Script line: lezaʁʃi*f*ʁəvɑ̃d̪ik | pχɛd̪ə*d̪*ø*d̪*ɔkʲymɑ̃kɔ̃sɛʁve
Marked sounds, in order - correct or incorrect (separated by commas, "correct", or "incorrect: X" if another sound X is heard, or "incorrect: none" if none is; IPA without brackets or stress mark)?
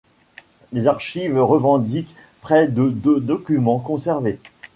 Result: incorrect: v, correct, correct